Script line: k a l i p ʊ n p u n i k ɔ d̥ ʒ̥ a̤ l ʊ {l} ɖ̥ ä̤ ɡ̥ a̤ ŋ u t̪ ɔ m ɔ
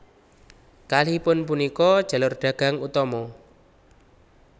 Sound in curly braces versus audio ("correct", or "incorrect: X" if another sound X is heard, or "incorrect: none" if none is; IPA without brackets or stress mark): incorrect: r